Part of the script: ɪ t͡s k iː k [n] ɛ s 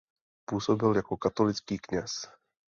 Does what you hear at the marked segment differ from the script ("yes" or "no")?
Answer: yes